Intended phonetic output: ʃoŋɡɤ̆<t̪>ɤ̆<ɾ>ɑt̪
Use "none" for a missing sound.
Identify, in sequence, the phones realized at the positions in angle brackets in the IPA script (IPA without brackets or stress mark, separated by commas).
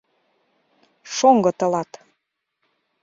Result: t̪, l